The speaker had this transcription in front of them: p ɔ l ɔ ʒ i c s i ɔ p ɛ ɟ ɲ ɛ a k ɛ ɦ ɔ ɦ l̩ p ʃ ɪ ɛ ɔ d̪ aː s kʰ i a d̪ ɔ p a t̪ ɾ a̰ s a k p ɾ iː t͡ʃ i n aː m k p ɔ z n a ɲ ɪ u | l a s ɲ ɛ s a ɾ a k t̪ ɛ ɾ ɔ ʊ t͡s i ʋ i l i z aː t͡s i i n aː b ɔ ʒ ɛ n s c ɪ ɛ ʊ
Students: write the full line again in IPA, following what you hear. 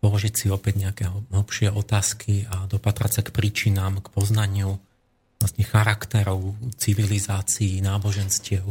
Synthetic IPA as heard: p ɔ l ɔ ʒ i c s i ɔ p ɛ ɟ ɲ ɛ a k ɛ ɦ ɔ ɦ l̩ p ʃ ɪ ɛ ɔ t̪ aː s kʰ i a d̪ ɔ p a t̪ ɾ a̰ s a k p ɾ iː t͡ʃ i n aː m k p ɔ z n a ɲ ɪ u | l a s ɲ ɛ x a ɾ a k t̪ ɛ ɾ ɔ ʊ t͡s i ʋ i l i z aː t͡s i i n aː b ɔ ʒ ɛ n s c ɪ ɛ ʊ